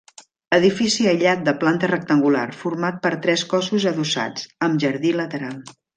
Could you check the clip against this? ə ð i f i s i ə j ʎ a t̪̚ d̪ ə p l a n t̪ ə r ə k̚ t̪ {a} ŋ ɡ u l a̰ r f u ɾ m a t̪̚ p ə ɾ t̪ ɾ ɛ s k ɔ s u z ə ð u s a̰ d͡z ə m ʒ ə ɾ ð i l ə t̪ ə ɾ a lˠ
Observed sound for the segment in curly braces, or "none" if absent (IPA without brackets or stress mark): ə